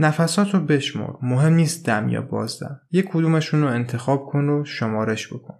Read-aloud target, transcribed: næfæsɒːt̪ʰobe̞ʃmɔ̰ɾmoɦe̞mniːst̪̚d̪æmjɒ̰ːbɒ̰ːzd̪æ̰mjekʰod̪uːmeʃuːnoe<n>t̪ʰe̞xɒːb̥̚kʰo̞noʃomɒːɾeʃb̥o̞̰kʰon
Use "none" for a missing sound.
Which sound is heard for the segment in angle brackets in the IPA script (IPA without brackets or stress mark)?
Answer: n